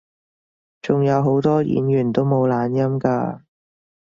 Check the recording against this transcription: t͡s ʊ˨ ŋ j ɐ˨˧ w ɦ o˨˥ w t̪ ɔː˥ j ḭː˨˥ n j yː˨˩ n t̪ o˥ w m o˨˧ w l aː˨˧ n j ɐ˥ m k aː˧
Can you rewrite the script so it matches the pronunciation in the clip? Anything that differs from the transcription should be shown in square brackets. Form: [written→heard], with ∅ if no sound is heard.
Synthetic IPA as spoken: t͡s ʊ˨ ŋ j ɐ˨˧ w ɦ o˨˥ w t̪ ɔː˥ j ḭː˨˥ n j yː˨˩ n t̪ o˥ w m o˨˧ w l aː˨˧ n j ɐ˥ m k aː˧